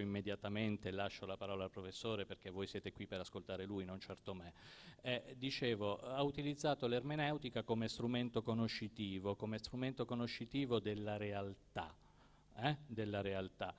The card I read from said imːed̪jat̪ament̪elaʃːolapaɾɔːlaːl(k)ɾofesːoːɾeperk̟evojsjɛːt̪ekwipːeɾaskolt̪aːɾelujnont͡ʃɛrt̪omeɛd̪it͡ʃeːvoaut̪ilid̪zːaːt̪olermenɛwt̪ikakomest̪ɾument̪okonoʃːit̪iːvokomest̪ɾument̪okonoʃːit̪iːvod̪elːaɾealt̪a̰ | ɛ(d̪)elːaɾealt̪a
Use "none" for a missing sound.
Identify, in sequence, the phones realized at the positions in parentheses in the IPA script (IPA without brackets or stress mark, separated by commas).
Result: p, d̪